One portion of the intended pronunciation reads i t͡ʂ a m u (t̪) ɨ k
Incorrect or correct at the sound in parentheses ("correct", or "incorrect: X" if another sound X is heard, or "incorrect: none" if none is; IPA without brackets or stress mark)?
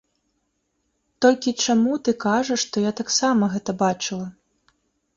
correct